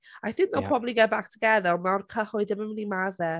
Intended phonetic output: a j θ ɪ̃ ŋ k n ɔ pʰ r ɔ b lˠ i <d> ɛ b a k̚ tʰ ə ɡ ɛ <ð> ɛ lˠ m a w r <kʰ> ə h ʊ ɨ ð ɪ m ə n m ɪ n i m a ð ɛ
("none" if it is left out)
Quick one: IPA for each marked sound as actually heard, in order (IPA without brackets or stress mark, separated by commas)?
ɡ, ð, kʰ